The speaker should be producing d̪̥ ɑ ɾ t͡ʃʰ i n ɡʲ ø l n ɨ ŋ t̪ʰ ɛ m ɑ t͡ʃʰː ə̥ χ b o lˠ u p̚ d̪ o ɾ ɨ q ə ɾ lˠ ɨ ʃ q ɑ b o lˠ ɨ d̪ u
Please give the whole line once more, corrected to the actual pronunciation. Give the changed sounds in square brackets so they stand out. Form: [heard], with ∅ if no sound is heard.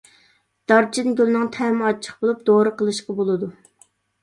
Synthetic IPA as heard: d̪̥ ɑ ɾ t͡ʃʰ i n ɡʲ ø l n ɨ ŋ t̪ʰ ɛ m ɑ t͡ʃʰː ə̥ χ b o lˠ u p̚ d̪ o ɾ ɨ q ə [∅] lˠ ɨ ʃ q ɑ b o lˠ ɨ d̪ u